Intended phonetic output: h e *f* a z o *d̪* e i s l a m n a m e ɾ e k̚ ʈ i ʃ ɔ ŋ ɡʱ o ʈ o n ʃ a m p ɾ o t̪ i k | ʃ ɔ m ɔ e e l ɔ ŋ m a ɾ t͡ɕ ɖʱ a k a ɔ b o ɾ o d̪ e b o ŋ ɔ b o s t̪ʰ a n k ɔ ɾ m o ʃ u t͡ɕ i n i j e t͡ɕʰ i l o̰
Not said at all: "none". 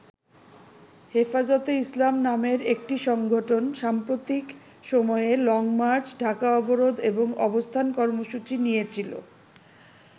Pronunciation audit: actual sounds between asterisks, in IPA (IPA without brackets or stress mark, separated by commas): f, t̪